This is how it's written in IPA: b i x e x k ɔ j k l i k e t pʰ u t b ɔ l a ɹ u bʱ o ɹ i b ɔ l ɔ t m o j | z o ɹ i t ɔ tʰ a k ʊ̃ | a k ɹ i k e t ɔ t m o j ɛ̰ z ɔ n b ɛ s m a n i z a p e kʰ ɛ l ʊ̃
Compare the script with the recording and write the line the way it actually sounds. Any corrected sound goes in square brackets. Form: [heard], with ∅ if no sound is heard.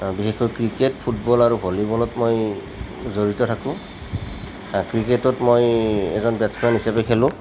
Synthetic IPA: b i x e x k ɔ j k [ɹ] i k e t pʰ u t b ɔ l a ɹ u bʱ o [l] i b ɔ l ɔ t m o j | z o ɹ i t ɔ tʰ a k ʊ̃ | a k ɹ i k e t ɔ t m o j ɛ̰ z ɔ n b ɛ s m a n i [s] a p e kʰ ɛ l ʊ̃